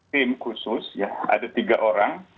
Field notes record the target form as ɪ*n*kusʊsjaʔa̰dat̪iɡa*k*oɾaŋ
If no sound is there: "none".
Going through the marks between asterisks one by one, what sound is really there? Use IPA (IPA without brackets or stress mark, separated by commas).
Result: m, ʔ